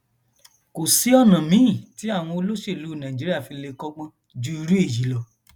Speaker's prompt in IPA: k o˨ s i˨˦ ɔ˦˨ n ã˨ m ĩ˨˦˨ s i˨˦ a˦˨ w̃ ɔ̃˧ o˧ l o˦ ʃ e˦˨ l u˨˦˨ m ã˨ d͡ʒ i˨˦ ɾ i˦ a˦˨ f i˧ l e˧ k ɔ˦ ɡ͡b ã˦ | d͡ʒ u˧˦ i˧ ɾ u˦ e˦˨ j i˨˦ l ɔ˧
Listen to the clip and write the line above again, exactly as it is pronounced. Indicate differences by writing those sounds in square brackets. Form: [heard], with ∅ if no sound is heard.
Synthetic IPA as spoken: k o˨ s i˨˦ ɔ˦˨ n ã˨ m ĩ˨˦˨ [t] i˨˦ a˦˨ w̃ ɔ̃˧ o˧ l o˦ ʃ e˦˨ l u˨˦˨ [n] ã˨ d͡ʒ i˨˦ ɾ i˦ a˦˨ f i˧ l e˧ k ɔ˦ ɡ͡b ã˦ | d͡ʒ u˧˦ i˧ ɾ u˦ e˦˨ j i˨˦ l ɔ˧